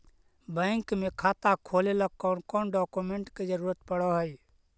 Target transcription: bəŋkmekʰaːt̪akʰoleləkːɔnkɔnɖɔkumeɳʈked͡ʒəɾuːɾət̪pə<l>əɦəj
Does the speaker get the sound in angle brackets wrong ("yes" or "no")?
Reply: yes